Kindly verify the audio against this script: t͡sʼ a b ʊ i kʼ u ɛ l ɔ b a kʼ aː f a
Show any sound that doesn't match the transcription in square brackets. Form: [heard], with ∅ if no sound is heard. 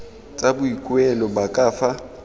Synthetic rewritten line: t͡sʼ a b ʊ i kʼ [w] ɛ l ɔ b a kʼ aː f a